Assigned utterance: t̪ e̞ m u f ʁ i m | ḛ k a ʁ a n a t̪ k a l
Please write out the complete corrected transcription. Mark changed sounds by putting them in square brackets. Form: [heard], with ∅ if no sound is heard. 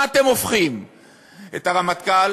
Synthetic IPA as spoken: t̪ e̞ m [o] f [χ] i m | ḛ [t] a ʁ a [m] a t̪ k a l